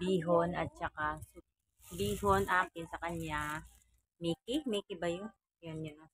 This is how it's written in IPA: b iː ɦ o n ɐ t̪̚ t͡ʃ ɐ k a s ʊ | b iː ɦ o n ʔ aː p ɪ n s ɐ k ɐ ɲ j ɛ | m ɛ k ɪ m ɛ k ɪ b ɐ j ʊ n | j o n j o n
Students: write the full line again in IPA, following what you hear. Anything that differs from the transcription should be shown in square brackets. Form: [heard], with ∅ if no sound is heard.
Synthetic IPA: b iː ɦ o n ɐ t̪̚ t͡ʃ ɐ k a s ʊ | b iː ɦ o n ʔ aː p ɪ n s ɐ k ɐ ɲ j [a] | m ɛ k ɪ m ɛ k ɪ b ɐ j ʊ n | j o n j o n